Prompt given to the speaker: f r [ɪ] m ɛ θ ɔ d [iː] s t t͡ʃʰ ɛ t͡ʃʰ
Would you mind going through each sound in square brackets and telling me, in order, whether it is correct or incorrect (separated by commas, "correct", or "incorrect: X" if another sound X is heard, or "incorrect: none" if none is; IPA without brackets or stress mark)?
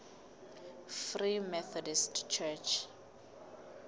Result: incorrect: i, incorrect: i